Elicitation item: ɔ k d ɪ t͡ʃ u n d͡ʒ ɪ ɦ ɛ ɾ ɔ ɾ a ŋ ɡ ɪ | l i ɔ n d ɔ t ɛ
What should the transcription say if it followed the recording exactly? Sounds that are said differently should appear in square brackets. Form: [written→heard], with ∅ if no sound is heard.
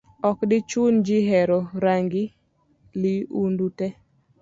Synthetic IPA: ɔ k d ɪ t͡ʃ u n d͡ʒ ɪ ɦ ɛ ɾ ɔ ɾ a ŋ ɡ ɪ | l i [ɔ→u] n d [ɔ→u] t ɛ